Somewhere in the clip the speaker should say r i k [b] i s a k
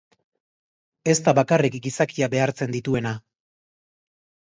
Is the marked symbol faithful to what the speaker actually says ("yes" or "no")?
no